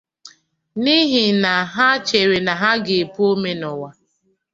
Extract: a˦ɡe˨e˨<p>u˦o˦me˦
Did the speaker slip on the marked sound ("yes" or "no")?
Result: no